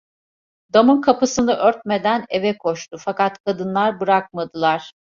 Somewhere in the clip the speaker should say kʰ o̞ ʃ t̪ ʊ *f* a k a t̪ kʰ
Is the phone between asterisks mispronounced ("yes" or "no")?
no